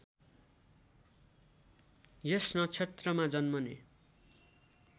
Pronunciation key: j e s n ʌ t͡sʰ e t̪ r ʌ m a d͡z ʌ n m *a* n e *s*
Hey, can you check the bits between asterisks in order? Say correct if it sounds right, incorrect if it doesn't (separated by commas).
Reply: incorrect, incorrect